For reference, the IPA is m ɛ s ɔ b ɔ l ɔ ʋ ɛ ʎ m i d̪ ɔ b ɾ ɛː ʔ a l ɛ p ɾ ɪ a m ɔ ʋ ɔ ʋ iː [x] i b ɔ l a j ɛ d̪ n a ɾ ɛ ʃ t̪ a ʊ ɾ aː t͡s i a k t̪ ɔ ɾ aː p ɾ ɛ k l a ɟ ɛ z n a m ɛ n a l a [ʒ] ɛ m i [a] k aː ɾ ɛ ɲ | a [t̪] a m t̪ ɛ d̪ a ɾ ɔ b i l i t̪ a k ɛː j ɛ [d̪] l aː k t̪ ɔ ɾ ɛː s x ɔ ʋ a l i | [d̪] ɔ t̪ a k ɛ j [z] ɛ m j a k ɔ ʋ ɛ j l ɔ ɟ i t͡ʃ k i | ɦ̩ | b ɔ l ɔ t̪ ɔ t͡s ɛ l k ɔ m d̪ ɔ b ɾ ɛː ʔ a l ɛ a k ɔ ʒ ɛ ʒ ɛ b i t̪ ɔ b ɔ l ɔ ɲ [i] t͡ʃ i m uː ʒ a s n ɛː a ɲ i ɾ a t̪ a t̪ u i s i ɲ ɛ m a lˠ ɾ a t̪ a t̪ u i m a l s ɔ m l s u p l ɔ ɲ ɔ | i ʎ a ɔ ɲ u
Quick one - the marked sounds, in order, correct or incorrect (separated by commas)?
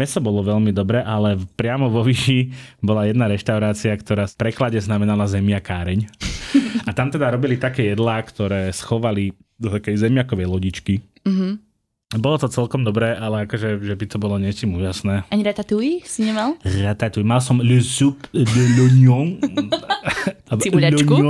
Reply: incorrect, incorrect, correct, correct, correct, correct, correct, incorrect